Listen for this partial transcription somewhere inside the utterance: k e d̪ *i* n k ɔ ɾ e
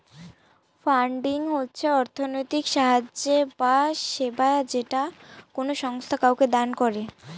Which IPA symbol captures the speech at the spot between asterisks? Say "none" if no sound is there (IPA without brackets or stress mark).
a